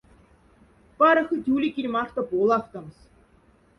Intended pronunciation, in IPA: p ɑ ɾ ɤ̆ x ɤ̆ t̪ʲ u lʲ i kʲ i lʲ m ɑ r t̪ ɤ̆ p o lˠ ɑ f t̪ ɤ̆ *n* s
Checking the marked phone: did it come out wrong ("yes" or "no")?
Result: yes